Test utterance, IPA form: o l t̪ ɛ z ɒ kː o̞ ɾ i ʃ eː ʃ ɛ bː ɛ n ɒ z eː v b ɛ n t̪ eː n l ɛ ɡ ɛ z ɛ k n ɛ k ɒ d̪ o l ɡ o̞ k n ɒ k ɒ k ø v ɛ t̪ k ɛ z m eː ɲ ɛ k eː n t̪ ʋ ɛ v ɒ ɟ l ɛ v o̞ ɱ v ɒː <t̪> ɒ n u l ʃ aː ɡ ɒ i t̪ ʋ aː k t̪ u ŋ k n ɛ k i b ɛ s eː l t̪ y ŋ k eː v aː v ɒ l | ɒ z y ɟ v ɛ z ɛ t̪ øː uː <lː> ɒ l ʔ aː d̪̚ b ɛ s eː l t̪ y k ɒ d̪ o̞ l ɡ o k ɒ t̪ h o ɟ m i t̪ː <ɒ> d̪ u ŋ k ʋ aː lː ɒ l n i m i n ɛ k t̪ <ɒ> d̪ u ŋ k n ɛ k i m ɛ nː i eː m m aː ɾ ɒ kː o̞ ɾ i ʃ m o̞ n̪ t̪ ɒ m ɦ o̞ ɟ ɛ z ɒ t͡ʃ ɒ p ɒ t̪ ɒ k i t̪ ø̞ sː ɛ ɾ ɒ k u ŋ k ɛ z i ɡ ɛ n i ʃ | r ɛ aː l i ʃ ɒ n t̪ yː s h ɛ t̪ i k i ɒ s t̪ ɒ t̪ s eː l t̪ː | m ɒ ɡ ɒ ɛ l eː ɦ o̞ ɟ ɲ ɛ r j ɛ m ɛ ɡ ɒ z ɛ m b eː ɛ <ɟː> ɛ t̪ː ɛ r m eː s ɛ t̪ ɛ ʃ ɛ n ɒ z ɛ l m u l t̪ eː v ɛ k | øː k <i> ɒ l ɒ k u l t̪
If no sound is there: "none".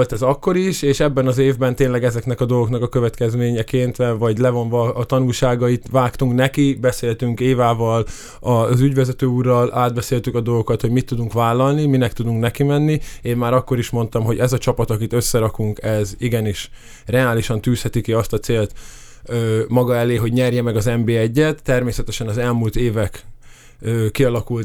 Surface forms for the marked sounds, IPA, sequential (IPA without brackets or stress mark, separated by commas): t̪, rː, u, u, ɟː, i